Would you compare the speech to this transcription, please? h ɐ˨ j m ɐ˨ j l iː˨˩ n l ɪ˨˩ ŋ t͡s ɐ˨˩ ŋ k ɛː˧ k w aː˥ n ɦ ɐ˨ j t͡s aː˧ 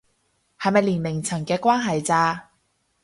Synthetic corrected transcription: h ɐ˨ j m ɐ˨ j l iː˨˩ n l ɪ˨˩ ŋ t͡sʰ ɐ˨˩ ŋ k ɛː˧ k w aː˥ n ɦ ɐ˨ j t͡s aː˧

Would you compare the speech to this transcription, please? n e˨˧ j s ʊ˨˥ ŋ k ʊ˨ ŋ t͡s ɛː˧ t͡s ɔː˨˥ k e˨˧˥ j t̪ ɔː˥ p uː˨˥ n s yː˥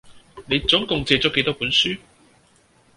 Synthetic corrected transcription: n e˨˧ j t͡s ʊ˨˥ ŋ k ʊ˨ ŋ t͡s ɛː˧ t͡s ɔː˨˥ k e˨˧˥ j t̪ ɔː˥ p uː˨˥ n s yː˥

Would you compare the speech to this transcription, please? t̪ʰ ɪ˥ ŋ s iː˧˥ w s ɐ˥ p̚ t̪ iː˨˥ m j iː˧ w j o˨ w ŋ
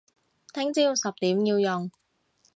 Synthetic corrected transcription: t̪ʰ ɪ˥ ŋ t͡s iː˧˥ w s ɐ˨ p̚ t̪ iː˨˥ m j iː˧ w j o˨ ŋ

